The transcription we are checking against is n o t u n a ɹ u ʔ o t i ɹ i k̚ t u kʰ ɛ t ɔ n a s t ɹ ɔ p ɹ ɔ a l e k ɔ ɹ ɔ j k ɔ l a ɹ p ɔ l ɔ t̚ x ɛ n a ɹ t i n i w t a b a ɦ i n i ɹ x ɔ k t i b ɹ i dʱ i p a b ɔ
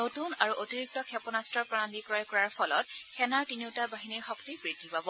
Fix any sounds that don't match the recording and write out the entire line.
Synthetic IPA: n o t u n a ɹ u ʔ o t i ɹ i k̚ t ɔ kʰ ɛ p ɔ n a s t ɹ ɔ p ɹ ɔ a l i k ɔ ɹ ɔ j k ɔ ɹ a ɹ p ɔ l ɔ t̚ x ɛ n a ɹ t i n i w t a b a ɦ i n i ɹ x ɔ k t i b ɹ i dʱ i p a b ɔ